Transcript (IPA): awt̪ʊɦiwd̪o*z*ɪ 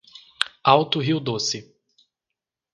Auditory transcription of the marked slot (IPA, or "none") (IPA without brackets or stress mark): s